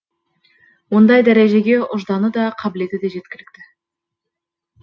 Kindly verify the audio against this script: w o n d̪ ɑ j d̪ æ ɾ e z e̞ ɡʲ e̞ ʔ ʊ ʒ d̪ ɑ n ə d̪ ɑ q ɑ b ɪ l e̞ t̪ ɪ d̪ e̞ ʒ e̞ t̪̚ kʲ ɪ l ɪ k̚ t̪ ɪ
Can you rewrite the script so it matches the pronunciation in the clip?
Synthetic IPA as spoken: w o n d̪ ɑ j d̪ æ ɾ e ʒ e̞ ɡʲ e̞ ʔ ʊ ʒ d̪ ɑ n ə d̪ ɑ qʰ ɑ b ɪ l e̞ t̪ ɪ d̪ e̞ ʒ e̞ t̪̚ kʲ ɪ l ɪ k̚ t̪ ɪ